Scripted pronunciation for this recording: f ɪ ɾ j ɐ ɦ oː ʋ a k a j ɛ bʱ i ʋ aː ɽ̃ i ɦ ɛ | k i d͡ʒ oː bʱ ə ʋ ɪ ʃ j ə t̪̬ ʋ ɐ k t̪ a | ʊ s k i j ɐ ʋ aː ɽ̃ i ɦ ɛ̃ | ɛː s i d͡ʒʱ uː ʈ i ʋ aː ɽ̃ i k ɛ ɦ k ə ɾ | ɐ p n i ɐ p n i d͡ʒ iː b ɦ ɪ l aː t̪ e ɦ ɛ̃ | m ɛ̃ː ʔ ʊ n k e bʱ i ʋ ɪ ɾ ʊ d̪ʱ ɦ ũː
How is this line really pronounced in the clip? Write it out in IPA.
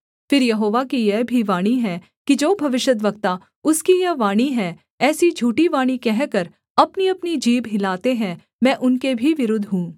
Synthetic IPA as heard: f ɪ ɾ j ɐ ɦ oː ʋ a k i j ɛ bʱ i ʋ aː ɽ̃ i ɦ ɛ | k i d͡ʒ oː bʱ ɐ ʋ ɪ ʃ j ə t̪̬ ʋ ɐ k t̪ a | ʊ s k i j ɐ ʋ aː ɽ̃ i ɦ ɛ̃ | ɛː s i d͡ʒʱ uː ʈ i ʋ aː ɽ̃ i k ɛ ɦ k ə ɾ | ɐ p n i ɐ p n i d͡ʒ iː b ɦ ɪ l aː t̪ e ɦ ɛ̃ | m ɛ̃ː ʔ ʊ n k e bʱ i ʋ ɪ ɾ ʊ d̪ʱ ɦ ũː